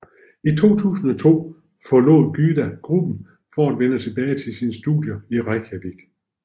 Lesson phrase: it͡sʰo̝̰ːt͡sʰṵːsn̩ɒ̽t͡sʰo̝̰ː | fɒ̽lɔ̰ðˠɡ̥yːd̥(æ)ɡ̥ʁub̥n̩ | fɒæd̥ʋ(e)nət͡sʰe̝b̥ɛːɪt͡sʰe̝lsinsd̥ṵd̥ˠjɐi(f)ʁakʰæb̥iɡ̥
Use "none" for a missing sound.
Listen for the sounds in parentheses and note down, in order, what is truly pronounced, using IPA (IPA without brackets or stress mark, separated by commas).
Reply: æ, e, none